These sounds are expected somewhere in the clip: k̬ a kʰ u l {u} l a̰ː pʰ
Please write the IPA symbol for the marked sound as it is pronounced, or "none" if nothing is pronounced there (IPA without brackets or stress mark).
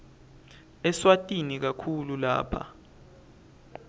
u